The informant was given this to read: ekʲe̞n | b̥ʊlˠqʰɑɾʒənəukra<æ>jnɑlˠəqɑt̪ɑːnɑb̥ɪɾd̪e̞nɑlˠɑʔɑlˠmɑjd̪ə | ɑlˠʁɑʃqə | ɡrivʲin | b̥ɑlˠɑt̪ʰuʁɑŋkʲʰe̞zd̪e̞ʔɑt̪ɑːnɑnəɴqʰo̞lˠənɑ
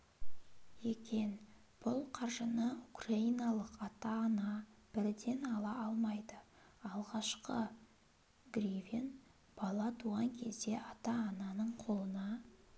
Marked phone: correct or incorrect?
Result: incorrect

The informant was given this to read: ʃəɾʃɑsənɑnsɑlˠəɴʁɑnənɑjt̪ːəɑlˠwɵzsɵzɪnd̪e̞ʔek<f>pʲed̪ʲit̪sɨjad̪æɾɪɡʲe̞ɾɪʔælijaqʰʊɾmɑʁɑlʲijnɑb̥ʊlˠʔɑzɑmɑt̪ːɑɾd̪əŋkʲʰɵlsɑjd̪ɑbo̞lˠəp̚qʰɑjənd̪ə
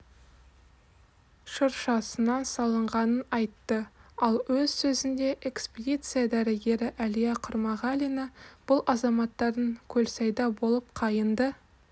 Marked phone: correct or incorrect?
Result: incorrect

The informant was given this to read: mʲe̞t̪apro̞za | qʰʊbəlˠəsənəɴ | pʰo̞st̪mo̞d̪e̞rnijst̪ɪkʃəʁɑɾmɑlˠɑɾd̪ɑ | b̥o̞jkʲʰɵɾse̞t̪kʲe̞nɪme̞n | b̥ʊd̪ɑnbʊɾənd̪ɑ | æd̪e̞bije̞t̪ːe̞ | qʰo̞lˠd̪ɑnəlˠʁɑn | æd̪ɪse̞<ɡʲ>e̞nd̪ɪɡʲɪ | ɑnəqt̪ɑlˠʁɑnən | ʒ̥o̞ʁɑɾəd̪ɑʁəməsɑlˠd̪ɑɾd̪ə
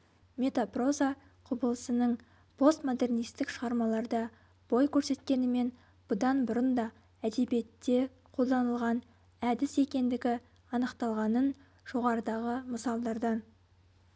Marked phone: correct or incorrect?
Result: incorrect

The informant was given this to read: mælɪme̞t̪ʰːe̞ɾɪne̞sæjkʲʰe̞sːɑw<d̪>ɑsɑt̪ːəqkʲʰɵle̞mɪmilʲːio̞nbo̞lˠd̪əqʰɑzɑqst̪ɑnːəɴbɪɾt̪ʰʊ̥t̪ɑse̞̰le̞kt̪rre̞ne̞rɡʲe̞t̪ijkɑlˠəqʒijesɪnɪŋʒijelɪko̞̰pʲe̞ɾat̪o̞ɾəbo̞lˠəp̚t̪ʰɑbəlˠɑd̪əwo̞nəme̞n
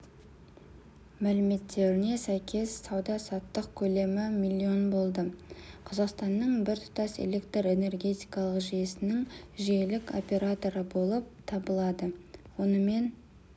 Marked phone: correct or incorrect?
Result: correct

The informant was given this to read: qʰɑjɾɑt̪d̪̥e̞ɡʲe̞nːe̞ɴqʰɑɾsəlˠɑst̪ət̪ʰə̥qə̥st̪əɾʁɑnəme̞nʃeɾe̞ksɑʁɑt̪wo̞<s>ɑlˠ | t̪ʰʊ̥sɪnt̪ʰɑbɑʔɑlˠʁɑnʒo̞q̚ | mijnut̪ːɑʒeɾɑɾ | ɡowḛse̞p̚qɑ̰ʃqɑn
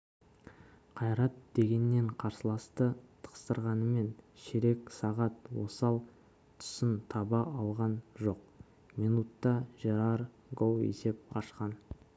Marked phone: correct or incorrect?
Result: correct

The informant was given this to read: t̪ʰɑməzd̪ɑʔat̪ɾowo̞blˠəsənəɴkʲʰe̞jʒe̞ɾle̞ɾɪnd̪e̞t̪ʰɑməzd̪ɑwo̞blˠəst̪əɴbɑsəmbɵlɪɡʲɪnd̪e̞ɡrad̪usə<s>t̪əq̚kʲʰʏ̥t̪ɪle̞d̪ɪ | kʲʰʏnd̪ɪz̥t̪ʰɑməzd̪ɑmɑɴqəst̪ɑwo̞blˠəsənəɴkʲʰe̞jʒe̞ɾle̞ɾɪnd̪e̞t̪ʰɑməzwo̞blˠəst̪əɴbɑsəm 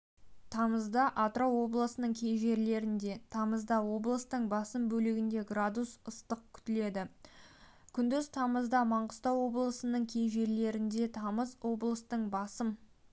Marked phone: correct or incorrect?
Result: correct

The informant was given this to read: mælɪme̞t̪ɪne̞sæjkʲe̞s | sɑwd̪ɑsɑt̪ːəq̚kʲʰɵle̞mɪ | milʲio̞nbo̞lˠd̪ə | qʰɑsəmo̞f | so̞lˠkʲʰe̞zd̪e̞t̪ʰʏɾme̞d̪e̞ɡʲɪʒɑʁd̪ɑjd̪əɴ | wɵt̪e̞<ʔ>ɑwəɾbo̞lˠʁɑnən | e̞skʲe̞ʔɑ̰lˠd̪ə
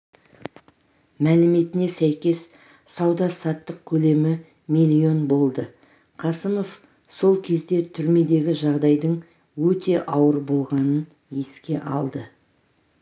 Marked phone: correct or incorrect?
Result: correct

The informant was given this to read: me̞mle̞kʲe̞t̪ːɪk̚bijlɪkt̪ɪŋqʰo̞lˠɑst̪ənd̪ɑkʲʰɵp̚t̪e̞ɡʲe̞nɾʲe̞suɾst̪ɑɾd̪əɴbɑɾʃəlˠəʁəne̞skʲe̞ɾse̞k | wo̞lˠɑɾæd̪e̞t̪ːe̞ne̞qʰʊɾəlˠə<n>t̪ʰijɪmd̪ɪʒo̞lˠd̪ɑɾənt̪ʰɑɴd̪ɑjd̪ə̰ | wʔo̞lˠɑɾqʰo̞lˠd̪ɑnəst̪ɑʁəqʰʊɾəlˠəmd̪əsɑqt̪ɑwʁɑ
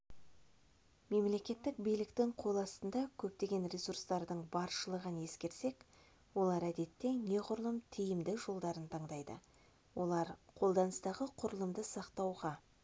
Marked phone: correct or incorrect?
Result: incorrect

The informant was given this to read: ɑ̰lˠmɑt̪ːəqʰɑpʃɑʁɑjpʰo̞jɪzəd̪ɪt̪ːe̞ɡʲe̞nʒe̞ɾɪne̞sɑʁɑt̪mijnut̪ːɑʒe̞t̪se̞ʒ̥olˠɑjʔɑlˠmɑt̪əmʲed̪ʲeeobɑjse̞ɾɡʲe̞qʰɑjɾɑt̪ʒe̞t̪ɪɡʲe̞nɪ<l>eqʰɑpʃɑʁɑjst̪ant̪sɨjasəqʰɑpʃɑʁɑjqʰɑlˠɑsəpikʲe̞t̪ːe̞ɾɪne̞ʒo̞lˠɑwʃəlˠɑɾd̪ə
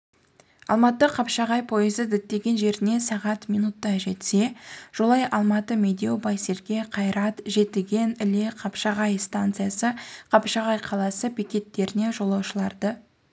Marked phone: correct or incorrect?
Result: correct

